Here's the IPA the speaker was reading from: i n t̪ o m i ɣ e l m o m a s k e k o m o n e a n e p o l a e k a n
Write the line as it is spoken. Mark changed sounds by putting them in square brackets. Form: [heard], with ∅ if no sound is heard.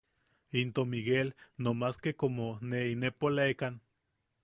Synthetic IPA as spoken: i n t̪ o m i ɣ e l [n] o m a s k e k o m o n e [i] n e p o l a e k a n